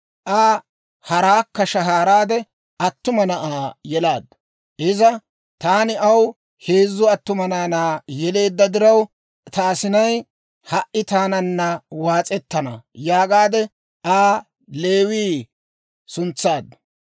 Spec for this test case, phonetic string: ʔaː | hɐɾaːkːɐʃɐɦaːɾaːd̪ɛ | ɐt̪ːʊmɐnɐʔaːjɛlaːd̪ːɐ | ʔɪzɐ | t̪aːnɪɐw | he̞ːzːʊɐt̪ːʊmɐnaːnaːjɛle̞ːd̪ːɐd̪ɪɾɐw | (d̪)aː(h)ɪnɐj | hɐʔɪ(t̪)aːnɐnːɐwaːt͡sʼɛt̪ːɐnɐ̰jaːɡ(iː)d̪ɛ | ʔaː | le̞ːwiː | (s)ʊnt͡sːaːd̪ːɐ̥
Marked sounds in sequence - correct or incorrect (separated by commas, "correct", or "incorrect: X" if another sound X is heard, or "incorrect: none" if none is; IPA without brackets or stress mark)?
incorrect: t̪, incorrect: s, correct, incorrect: aː, correct